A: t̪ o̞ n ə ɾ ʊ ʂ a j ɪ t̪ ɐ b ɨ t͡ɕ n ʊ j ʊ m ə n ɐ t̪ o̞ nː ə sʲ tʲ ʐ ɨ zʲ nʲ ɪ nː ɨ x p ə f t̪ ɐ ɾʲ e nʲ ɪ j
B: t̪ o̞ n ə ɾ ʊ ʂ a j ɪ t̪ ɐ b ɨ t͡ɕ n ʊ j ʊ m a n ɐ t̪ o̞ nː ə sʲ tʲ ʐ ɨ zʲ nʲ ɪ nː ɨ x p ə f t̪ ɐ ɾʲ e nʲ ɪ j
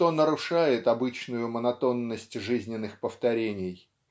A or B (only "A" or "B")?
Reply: A